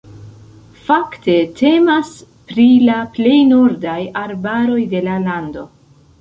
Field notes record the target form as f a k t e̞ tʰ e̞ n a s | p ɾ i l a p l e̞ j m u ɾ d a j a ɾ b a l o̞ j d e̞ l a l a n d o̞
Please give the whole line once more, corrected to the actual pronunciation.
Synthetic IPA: f a k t e̞ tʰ e̞ m a s | p ɾ i l a p l e̞ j n u ɾ d a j a ɾ b a ɾ o̞ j d e̞ l a l a n d o̞